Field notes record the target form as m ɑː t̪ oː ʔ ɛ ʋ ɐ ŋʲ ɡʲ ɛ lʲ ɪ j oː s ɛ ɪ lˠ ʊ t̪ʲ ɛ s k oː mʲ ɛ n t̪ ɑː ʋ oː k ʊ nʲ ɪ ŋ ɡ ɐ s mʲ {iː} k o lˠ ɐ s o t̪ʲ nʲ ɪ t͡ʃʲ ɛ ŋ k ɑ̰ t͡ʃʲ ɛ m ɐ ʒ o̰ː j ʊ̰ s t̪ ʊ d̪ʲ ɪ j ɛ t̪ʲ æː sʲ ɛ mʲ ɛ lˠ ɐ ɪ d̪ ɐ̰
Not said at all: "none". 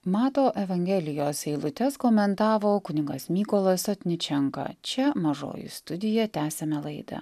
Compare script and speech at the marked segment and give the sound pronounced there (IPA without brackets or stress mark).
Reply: iː